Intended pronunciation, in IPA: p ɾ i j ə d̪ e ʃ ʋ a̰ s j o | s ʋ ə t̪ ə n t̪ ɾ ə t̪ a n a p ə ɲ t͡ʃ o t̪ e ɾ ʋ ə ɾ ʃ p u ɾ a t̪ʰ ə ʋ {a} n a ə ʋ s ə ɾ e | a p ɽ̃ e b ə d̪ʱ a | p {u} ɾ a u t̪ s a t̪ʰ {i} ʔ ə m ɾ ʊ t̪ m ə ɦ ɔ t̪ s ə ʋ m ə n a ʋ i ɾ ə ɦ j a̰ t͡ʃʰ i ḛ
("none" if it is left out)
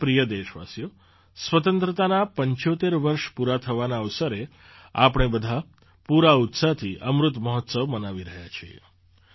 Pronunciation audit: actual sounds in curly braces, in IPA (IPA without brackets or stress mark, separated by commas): a, u, i